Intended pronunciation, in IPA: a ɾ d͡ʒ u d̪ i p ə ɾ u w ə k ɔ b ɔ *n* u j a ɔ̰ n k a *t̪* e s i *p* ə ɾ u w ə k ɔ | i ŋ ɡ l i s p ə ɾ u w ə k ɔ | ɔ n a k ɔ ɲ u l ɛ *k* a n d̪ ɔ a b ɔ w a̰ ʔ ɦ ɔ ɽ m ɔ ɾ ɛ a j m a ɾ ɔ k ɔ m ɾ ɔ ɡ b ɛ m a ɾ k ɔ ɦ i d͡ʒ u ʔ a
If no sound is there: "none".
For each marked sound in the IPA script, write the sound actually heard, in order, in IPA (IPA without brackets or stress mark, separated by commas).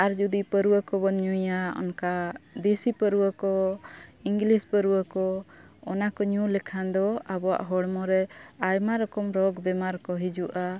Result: ɲ, d̪, p, kʰ